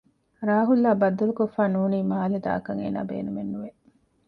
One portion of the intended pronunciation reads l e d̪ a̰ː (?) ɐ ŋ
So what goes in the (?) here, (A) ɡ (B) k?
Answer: B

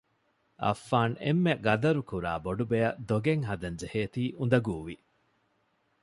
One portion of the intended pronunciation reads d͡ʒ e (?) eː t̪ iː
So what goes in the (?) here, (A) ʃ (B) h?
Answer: B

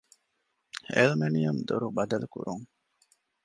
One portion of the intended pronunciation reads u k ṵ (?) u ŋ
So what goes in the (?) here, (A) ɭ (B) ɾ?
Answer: B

